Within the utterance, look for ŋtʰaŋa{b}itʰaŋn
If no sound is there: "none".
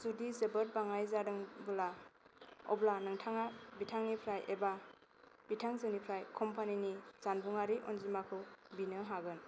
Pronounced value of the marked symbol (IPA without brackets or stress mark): b